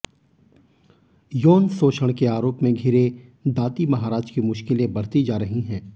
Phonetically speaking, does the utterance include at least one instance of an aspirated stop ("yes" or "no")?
no